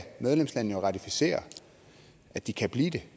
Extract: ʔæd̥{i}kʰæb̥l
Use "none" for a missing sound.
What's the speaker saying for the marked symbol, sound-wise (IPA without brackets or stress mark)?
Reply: i